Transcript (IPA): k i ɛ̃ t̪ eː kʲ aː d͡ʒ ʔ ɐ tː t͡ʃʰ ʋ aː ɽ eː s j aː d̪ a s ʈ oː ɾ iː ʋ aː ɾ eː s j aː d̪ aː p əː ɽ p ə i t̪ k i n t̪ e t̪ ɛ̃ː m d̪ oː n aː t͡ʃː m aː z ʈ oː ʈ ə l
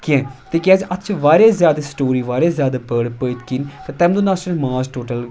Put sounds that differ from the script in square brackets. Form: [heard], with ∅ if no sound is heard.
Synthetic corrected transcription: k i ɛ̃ t̪ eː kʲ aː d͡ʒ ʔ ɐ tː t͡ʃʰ ʋ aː [ɾ] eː [z] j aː d̪ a s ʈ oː ɾ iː ʋ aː ɾ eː [z] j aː d̪ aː p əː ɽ p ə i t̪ k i n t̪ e t̪ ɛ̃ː m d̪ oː n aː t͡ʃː m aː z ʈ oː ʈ ə l